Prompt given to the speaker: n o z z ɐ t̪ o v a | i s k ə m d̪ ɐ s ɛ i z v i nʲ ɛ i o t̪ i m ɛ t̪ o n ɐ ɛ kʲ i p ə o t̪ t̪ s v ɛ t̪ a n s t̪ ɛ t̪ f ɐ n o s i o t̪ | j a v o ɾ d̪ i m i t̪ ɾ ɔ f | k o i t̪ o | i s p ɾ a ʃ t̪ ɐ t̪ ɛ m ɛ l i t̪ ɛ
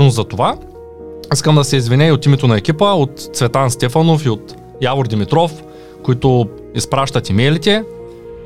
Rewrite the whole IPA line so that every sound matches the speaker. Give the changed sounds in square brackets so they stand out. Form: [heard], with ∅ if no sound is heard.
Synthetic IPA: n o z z ɐ t̪ o v a | i s k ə m d̪ ɐ s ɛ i z v i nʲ ɛ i o t̪ i m ɛ t̪ o n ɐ ɛ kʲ i p ə o t̪ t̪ s v ɛ t̪ a n s t̪ ɛ [∅] f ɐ n o [f] i o t̪ | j a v o ɾ d̪ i m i t̪ ɾ ɔ f | k o i t̪ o | i s p ɾ a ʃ t̪ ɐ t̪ [i] m ɛ l i t̪ ɛ